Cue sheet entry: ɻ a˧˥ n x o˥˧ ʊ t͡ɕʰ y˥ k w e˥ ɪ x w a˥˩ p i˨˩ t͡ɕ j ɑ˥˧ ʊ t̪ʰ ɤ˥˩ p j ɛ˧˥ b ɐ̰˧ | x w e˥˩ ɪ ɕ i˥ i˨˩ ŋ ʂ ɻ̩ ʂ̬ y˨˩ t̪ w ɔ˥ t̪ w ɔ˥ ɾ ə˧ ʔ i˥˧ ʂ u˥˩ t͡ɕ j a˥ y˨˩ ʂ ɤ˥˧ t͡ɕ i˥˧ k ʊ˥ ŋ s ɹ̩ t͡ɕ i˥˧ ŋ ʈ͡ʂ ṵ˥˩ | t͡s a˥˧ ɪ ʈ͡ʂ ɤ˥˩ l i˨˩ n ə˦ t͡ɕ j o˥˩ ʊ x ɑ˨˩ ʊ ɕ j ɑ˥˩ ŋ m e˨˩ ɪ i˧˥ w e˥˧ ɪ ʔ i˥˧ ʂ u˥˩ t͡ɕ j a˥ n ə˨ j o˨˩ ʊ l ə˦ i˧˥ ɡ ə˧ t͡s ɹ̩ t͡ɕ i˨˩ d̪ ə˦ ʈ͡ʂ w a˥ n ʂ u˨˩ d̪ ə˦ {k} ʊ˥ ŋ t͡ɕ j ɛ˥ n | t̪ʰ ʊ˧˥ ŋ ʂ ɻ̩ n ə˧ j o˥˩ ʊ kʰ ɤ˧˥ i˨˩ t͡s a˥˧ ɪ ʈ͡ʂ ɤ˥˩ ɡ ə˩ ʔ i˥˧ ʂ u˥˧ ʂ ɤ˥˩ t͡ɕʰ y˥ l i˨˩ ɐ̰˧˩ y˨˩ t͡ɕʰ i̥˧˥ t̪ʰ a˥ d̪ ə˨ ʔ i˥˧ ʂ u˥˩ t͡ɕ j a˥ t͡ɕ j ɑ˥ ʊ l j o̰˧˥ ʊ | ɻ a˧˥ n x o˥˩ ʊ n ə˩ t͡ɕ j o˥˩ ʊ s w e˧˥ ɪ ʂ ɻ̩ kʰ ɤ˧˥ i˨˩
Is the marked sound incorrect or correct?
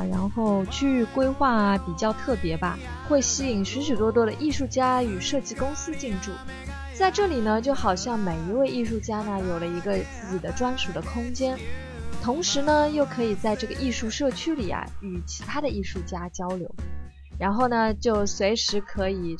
incorrect